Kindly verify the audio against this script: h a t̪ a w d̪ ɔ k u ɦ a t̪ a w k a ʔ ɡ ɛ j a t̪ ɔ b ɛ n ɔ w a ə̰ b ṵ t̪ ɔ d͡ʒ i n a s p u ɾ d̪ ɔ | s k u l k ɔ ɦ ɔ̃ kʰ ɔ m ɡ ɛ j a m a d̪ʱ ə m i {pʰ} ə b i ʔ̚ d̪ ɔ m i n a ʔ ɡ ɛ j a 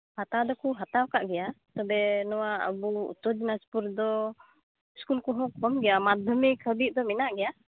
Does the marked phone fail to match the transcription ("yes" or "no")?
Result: yes